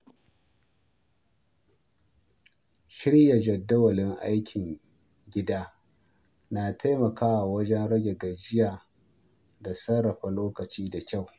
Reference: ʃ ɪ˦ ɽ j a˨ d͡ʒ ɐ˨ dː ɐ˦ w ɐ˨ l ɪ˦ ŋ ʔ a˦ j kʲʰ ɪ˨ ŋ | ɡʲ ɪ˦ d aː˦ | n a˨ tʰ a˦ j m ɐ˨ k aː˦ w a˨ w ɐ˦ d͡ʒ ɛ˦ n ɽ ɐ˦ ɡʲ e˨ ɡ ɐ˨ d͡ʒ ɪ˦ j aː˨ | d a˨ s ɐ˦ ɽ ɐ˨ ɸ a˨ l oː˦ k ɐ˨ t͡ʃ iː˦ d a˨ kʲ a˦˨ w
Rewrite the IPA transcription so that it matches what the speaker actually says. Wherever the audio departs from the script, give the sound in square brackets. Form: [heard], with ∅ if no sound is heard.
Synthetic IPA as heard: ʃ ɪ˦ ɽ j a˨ d͡ʒ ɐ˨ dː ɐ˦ w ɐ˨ l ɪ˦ ŋ ʔ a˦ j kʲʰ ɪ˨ ŋ | ɡʲ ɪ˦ d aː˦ | n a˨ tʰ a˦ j m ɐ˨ k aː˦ w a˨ w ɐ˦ d͡ʒ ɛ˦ n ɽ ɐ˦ ɡʲ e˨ ɡ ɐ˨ d͡ʒ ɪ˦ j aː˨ | d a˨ s ɐ˦ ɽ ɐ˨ ɸ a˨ l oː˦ k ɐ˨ t͡ʃ iː˦ d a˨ kʲ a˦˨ w